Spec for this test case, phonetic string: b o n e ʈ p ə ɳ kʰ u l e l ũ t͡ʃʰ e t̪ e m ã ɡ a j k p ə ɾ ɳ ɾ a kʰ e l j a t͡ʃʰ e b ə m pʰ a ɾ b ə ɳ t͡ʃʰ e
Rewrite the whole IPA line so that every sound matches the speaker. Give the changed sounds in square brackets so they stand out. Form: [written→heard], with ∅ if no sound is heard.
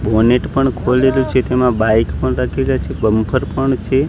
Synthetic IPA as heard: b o n e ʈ p ə ɳ kʰ [u→o] l e l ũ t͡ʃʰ e t̪ e m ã [ɡ→b] a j k p ə [ɾ→∅] ɳ ɾ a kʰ e l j a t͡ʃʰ e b ə m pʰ [a→ə] ɾ [b→p] ə ɳ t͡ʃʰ e